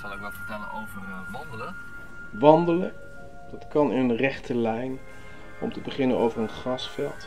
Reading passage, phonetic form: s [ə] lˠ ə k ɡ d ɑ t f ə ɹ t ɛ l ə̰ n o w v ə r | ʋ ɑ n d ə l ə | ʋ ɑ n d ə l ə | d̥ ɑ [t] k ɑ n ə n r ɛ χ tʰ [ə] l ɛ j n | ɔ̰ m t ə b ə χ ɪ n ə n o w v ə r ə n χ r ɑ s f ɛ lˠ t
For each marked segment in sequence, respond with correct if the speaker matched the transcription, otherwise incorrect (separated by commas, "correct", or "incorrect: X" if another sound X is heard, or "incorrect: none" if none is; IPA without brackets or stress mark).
incorrect: ɑ, correct, correct